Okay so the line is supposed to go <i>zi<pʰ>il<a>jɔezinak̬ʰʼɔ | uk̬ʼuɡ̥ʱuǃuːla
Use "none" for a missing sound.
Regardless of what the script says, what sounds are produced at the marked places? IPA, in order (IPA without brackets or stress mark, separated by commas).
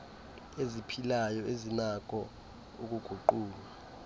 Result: e, pʰ, a